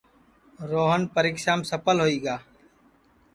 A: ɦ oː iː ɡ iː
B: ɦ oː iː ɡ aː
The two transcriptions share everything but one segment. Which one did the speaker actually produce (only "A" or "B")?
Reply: B